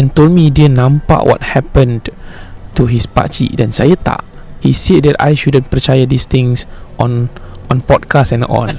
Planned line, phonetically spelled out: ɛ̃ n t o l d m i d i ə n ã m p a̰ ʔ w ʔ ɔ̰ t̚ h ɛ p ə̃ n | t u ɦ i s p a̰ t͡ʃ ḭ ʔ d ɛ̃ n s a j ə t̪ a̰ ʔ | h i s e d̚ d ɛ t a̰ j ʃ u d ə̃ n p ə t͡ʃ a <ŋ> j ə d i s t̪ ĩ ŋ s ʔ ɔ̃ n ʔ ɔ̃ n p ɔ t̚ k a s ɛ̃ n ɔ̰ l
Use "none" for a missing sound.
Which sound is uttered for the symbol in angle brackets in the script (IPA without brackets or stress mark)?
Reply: none